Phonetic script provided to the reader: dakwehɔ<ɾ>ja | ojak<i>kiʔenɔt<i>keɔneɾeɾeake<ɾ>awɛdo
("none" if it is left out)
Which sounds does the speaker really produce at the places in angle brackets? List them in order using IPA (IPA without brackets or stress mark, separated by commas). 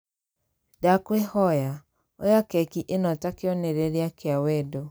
none, ɛ, a, none